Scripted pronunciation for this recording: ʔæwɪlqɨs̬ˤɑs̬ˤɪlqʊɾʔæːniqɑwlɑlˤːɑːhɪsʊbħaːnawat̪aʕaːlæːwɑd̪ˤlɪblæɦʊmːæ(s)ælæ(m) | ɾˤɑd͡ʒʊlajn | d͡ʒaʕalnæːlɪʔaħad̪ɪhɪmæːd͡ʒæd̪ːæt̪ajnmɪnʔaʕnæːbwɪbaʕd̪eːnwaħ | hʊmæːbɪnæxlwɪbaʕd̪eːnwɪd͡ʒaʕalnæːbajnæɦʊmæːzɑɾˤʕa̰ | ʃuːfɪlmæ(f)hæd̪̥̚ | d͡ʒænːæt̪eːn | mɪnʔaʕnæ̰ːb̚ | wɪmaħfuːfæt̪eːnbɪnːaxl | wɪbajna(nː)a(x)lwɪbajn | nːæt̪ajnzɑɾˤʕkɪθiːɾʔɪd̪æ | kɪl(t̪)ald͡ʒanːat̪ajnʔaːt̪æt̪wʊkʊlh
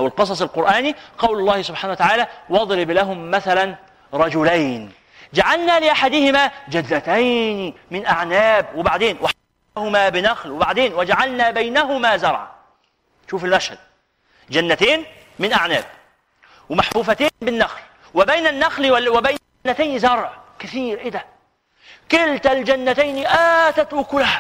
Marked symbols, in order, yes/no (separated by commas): no, no, no, yes, yes, yes